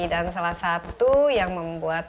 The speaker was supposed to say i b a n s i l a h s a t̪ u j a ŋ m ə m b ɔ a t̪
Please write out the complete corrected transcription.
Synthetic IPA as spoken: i d a n s a l a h s a t̪ u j a ŋ m ə m b u a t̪

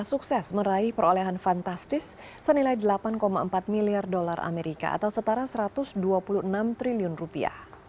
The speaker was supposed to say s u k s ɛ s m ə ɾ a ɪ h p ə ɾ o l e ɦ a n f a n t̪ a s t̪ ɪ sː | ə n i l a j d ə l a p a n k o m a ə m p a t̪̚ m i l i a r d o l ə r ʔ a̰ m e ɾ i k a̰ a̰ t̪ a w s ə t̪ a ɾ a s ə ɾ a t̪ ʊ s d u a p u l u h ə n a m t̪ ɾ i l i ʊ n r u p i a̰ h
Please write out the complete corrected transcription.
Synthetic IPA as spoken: s u k s ɛ s m ə ɾ a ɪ h p ə ɾ o l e ɦ a n f a n t̪ a s t̪ ɪ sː | ə n i l a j d ə l a p a n k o m a ə m p a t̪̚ m i l i a r d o l a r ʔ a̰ m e ɾ i k a̰ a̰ t̪ a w s ə t̪ a ɾ a s ə ɾ a t̪ ʊ s d u a p u l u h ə n a m t̪ ɾ i l i ʊ n r u p i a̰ h

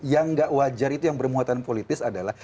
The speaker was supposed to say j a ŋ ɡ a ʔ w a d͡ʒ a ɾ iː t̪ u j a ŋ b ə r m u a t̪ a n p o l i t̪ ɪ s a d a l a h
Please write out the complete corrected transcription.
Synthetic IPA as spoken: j a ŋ ɡ a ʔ w a d͡ʒ a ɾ i t̪ u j a ŋ b ə r m u a t̪ a n p o l i t̪ ɪ s a d a l a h

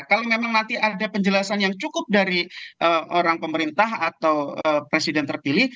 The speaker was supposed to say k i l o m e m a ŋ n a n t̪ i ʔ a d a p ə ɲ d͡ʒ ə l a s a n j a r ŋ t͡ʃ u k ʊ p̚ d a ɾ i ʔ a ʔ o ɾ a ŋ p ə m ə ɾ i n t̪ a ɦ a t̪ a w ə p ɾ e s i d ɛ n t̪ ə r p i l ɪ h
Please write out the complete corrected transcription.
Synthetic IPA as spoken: k a l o m e m a ŋ n a n t̪ i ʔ a d a p ə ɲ d͡ʒ ə l a s a n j a ŋ t͡ʃ u k ʊ p̚ d a ɾ i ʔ ə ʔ o ɾ a ŋ p ə m ə ɾ i n t̪ a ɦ a t̪ a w ə p ɾ e s i d ɛ n t̪ ə r p i l ɪ h

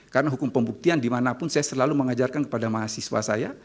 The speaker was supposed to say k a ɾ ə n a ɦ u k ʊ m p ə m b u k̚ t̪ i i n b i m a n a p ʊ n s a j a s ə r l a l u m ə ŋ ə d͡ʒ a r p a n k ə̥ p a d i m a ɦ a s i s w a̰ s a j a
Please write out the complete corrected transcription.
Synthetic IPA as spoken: k a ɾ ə n a ɦ u k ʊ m p ə m b u k̚ t̪ i a n d i m a n a p ʊ n s a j a s ə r l a l u m ə ŋ a d͡ʒ a r k a n k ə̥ p a d a m a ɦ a s i s w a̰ s a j a

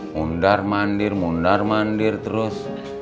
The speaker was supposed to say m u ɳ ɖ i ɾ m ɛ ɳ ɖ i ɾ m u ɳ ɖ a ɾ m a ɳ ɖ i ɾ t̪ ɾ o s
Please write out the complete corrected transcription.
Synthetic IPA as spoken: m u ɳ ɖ a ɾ m a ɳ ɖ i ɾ m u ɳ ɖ a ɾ m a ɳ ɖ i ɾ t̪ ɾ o s

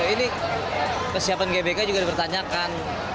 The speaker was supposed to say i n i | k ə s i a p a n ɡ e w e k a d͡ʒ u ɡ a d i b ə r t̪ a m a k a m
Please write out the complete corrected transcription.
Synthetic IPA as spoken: i n i | k ə s i a p a n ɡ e b e k a d͡ʒ u ɡ a d i p ə r t̪ a ɲ a k a n

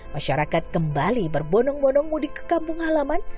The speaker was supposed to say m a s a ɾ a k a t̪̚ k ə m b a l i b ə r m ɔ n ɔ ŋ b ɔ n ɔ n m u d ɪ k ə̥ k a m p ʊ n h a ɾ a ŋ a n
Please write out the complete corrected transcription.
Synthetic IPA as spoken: m a ʃ a ɾ a k a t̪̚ k ə m b a l i b ə r b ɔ n ɔ ŋ b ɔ n ɔ ŋ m u d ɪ k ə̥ k a m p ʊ ŋ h a l a m a n

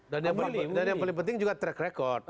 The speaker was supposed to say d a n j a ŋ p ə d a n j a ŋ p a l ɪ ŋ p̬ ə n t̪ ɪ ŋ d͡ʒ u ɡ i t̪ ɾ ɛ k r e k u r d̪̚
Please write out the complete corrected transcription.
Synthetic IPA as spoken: d a n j a ŋ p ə d a n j a ŋ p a l ɪ ŋ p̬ ə n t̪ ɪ ŋ d͡ʒ u ɡ a t̪ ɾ ɛ k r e k ɔ r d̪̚

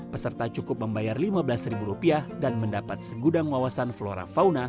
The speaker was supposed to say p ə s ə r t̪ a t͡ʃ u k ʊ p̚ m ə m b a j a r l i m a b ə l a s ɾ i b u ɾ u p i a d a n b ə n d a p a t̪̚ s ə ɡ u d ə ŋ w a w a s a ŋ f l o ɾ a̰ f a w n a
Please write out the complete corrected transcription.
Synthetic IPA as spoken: p ə s ə r t̪ a t͡ʃ u k ʊ p̚ m ə m b a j a r l i m a b ə l a s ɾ i b u ɾ u p i a d a n m ə n d a p a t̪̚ s ə ɡ u d a ŋ w a w a s a n f l o ɾ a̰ f a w n a

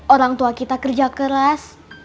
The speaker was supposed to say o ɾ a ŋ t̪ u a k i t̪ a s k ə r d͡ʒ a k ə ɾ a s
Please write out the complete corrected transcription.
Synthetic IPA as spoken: o ɾ a ŋ t̪ u a k i t̪ a k ə r d͡ʒ a k ə ɾ a s

